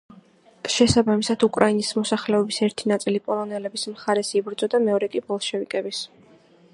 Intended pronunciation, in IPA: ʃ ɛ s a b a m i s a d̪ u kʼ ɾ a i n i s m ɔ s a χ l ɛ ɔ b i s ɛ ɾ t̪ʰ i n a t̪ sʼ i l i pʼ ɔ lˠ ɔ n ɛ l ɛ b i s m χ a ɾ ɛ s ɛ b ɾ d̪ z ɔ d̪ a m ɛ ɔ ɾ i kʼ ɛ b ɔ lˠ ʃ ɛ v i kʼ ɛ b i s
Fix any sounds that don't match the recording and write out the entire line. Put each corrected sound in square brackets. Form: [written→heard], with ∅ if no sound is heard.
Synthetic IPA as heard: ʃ ɛ s a b a m i s a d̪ u kʼ ɾ a i n i s m ɔ s a χ l ɛ ɔ b i s ɛ ɾ t̪ʰ i n a t̪ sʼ i l i pʼ ɔ lˠ ɔ n ɛ l ɛ b i s m χ a ɾ ɛ s [ɛ→i] b ɾ d̪ z ɔ d̪ a m ɛ ɔ ɾ [i→ɛ] kʼ [ɛ→i] b ɔ lˠ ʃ ɛ v i kʼ ɛ b i s